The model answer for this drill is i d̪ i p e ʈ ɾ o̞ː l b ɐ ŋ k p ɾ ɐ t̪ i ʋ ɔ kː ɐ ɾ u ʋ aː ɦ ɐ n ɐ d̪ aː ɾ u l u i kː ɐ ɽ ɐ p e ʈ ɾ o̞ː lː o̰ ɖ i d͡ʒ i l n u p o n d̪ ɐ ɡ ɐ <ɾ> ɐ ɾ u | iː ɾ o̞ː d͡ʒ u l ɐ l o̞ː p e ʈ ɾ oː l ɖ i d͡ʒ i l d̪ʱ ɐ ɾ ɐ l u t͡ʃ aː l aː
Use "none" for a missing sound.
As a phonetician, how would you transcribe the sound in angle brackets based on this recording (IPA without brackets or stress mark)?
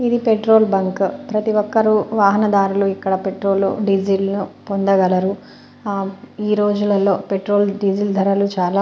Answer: l